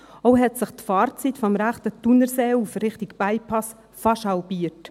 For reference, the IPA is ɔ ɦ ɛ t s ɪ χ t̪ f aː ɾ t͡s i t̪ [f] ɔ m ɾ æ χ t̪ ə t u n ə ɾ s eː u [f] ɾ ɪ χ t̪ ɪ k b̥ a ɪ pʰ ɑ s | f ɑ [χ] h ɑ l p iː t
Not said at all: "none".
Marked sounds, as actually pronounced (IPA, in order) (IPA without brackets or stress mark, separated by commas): f, f, ʃ